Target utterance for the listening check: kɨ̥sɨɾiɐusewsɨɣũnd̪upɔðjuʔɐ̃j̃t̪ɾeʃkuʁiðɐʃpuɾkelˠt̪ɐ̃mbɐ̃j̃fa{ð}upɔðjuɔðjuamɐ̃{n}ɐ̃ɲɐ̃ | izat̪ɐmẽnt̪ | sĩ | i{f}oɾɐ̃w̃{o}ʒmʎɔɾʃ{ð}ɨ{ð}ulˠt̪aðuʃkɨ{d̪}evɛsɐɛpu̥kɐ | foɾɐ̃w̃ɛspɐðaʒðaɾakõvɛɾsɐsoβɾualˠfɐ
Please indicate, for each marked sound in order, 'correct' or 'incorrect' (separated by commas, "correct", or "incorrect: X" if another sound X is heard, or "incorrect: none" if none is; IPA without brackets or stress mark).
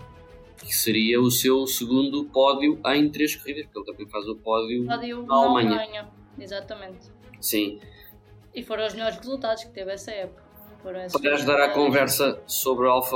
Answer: incorrect: z, incorrect: ɲ, correct, incorrect: u, incorrect: ʁ, incorrect: z, incorrect: t̪